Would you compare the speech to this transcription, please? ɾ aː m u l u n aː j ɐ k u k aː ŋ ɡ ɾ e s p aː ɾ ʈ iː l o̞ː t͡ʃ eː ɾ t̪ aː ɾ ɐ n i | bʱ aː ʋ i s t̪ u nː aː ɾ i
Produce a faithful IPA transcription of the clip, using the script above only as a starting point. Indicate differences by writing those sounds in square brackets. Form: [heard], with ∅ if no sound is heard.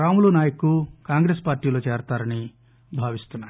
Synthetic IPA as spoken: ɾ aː m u l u n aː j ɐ k u k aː ŋ ɡ ɾ e s p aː ɾ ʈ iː l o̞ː t͡ʃ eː ɾ t̪ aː ɾ ɐ n i | bʱ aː ʋ i s t̪ u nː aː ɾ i